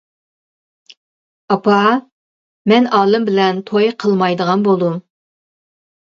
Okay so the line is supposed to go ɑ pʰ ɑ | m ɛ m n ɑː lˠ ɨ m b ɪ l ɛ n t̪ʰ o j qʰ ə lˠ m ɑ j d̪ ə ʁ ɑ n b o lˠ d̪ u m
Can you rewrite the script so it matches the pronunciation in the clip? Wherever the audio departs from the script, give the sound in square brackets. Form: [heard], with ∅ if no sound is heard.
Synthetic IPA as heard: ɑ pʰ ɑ | m ɛ [∅] n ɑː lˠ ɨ m b ɪ l ɛ n t̪ʰ o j qʰ ə lˠ m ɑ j d̪ ə ʁ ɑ n b o lˠ d̪ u m